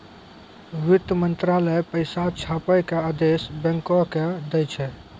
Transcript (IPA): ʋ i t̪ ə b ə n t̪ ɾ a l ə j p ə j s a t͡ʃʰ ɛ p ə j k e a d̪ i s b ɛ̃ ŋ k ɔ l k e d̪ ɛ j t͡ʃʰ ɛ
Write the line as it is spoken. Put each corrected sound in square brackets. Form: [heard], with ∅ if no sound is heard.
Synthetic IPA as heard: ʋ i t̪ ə [m] ə n t̪ ɾ a l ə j p ə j s a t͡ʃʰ [a] p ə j k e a d̪ [e] s b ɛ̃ ŋ k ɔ [∅] k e d̪ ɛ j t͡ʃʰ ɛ